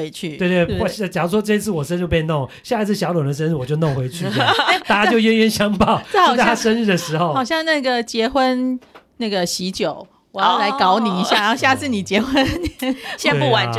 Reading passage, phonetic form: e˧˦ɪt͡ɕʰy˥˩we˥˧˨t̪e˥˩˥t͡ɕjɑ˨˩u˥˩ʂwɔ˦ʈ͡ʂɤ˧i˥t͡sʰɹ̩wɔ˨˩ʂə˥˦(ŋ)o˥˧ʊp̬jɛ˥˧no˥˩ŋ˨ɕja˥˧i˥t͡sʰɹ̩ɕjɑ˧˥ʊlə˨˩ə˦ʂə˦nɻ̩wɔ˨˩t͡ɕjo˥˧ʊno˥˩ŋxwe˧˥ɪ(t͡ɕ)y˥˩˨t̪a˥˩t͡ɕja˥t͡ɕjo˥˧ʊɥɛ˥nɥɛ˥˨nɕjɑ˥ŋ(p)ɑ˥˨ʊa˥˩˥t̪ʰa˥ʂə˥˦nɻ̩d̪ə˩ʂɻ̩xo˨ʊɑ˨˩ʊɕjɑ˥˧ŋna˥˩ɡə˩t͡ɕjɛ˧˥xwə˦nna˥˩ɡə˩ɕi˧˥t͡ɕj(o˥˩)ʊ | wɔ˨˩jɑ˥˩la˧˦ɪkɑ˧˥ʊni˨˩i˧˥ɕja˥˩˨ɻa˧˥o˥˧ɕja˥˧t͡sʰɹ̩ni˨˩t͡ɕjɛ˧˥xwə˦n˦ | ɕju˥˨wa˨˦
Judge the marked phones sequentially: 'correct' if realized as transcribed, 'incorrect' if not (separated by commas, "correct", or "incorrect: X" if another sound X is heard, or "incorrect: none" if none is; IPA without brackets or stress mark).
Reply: incorrect: n, incorrect: t͡ɕʰ, correct, incorrect: o˨˩˦